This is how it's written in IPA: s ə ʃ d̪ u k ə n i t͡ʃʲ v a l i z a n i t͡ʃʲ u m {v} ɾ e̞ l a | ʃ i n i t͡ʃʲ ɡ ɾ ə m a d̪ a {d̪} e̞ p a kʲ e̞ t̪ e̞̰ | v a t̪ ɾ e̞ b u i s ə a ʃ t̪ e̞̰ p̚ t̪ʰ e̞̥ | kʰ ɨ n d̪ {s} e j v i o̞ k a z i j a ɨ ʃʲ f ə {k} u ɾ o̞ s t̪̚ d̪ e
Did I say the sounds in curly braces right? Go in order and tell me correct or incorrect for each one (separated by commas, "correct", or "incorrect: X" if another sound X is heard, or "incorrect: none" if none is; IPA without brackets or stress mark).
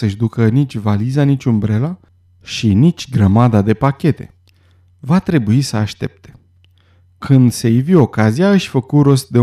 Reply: incorrect: b, correct, correct, correct